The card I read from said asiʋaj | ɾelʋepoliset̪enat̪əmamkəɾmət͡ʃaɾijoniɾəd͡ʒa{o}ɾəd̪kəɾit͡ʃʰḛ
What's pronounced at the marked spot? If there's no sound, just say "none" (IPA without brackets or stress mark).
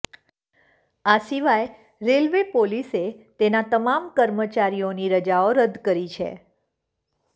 o